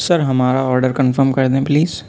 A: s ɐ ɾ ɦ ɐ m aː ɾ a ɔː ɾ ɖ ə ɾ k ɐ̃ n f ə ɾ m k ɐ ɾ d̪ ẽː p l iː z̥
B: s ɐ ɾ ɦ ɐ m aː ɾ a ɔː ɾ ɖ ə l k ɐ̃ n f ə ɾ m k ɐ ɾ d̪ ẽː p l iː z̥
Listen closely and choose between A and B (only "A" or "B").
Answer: A